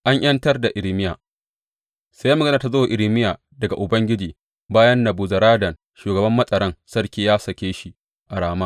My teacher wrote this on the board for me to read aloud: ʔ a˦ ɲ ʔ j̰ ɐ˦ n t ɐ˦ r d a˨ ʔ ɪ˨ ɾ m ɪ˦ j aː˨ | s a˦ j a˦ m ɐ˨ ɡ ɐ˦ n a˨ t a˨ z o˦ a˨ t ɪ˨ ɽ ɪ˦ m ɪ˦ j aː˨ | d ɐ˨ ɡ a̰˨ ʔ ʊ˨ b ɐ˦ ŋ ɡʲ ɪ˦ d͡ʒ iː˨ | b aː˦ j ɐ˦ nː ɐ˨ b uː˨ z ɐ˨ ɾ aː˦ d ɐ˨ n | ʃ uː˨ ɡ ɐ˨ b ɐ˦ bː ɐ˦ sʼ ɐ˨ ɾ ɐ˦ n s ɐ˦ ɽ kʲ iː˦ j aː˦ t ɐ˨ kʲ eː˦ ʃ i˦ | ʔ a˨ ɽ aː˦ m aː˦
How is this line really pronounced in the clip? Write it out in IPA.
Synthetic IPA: ʔ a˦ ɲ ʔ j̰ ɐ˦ n t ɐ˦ r d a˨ ʔ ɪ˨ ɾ m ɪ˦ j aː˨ | s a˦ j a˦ m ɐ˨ ɡ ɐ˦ n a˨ t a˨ z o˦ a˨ ʔ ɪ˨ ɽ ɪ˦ m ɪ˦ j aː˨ | d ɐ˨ ɡ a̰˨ ʔ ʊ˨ b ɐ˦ ŋ ɡʲ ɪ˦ d͡ʒ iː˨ | b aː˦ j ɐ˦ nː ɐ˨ b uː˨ z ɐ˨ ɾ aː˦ d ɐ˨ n | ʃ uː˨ ɡ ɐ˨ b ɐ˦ mː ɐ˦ sʼ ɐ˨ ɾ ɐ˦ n s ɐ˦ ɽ kʲ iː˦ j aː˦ s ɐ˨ kʲ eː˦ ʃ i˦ | ʔ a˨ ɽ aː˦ m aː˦